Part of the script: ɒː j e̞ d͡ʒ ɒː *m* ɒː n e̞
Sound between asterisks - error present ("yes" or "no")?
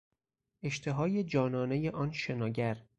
yes